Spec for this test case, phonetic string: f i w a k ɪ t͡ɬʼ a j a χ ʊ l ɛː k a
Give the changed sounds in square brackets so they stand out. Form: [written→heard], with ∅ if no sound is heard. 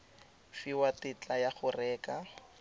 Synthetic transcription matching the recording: f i w a [k→t] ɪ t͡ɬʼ a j a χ ʊ [l→r] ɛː k a